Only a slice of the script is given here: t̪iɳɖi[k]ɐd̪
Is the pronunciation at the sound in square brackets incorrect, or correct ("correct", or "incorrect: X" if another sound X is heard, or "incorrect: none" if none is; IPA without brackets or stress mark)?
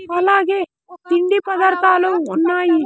incorrect: p